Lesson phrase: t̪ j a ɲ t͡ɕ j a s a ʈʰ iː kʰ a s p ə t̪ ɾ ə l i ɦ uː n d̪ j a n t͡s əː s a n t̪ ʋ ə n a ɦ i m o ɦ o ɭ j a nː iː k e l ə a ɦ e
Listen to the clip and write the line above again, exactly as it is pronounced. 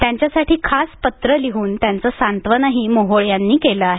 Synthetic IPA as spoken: t̪ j a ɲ t͡ɕ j a s a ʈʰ iː kʰ a s p ə t̪ ɾ ə l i ɦ uː n t̪ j a n t͡s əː s a n t̪ ʋ ə n a ɦ i m o ɦ o ɭ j a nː iː k e l ə a ɦ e